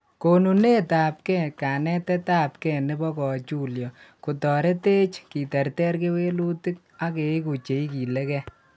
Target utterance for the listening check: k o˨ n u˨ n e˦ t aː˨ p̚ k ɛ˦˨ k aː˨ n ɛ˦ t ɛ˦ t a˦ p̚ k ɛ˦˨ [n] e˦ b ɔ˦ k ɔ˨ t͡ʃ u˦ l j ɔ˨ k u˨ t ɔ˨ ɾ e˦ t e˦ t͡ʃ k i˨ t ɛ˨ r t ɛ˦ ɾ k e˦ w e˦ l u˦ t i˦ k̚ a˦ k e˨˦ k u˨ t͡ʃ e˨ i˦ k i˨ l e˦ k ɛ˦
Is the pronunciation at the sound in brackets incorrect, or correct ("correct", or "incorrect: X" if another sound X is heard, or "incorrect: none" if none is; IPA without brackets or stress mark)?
correct